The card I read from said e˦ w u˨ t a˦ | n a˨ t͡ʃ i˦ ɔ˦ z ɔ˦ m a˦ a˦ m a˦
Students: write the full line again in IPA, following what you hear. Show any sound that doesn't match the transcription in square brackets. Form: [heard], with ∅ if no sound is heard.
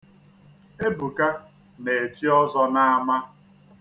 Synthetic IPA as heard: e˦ [b] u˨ [k] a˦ | n [e˨] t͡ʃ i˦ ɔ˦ z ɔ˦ [n] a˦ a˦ m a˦

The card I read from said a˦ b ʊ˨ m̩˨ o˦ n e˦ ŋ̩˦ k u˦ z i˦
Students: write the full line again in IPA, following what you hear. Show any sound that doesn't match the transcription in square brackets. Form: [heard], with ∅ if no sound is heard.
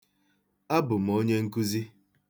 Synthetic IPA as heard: a˦ b ʊ˨ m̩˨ o˦ [ɲ] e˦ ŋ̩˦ k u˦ z i˦

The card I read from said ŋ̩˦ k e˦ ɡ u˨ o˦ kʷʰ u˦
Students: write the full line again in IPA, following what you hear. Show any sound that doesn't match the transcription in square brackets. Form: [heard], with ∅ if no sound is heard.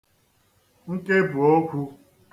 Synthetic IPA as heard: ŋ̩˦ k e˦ [b] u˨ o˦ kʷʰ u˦

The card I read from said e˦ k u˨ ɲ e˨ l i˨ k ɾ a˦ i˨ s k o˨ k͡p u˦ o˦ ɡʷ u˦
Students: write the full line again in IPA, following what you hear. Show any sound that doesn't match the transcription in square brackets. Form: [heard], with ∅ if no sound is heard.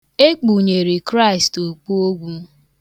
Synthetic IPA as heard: e˦ [k͡p] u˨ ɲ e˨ [ɾ] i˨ k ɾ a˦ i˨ s [t] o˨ k͡p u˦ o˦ ɡʷ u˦

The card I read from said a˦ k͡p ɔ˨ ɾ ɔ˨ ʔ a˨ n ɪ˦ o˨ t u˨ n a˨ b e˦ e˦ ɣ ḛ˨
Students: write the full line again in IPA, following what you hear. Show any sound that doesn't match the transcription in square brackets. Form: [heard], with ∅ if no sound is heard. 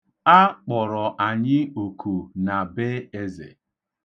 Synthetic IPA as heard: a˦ k͡p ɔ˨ ɾ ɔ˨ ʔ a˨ [ɲ] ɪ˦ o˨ [k] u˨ n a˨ b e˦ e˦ [z] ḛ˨

